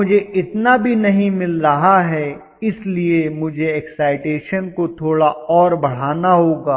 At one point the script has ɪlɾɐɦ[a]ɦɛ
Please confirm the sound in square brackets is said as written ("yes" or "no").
yes